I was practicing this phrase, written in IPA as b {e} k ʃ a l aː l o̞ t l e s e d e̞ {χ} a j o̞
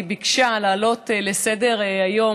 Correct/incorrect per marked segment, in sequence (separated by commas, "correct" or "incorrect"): incorrect, incorrect